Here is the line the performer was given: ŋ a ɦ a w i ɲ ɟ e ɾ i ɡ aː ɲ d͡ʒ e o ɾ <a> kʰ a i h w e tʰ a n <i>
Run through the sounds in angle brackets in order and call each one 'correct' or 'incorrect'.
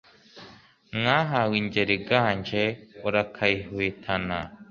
correct, incorrect

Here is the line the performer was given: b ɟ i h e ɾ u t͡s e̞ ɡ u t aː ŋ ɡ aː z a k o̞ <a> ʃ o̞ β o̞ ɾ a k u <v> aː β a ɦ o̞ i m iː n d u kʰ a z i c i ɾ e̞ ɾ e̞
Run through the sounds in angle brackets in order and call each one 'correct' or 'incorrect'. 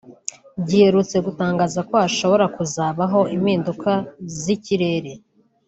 correct, incorrect

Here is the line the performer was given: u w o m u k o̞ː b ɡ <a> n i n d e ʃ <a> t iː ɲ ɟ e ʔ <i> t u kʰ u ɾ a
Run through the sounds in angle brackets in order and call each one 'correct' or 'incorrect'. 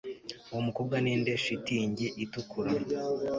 correct, incorrect, correct

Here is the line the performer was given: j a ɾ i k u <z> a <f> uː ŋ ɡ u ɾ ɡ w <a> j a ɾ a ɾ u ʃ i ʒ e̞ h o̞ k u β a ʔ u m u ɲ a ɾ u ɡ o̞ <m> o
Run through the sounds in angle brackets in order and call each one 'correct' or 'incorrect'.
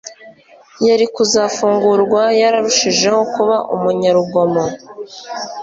correct, correct, correct, correct

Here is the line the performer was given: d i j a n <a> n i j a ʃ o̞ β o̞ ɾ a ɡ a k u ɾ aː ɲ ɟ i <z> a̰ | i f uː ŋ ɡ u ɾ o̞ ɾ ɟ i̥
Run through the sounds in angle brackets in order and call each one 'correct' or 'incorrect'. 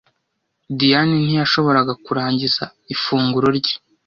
incorrect, correct

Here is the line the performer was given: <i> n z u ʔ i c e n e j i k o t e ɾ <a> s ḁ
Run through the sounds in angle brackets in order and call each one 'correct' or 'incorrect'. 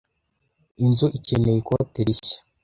correct, incorrect

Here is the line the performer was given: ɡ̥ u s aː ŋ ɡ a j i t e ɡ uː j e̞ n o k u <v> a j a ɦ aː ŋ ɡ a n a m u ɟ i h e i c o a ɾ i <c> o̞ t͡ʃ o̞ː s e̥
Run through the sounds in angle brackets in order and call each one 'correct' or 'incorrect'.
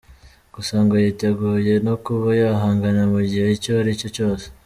incorrect, correct

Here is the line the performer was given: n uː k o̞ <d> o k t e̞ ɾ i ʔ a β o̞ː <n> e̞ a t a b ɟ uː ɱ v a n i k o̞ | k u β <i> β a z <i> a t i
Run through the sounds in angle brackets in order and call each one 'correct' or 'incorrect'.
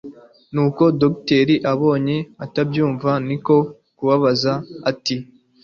correct, incorrect, incorrect, incorrect

